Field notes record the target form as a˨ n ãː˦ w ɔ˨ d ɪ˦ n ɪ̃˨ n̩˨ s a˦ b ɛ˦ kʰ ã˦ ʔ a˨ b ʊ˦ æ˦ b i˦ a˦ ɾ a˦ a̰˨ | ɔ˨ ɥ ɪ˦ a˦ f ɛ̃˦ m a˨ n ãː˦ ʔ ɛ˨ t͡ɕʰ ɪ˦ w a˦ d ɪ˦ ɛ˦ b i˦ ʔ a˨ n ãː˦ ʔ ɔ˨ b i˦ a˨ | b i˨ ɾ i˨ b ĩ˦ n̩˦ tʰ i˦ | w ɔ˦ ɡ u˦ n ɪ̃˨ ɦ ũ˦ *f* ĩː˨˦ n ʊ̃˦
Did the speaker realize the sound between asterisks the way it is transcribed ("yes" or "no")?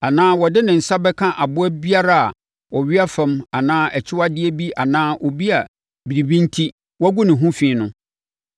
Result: yes